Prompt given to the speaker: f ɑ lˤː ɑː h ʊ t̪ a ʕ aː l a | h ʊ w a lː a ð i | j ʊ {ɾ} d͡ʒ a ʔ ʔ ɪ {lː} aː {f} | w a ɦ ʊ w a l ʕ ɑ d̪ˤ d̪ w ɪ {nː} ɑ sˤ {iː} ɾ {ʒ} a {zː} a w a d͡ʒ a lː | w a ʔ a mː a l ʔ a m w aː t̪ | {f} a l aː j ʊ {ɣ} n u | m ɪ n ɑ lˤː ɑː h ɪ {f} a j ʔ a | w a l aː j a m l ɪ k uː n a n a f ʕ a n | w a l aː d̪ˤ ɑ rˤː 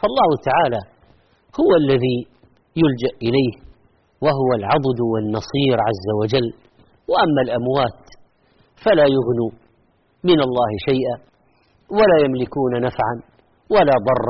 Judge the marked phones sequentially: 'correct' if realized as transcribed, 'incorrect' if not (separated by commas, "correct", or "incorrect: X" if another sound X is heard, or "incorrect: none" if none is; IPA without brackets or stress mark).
incorrect: l, incorrect: l, incorrect: h, correct, correct, incorrect: ʕ, correct, correct, correct, incorrect: ʃ